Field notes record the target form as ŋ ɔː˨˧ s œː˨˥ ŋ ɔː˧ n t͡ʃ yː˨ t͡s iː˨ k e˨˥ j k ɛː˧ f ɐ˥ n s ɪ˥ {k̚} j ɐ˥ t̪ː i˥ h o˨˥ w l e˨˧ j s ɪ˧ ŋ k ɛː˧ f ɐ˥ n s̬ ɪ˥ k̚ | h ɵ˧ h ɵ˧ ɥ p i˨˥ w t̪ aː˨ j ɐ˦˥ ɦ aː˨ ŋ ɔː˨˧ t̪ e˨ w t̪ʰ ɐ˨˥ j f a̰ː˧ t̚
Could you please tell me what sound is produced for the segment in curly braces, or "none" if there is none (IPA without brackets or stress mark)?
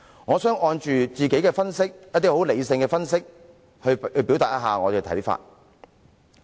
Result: k̚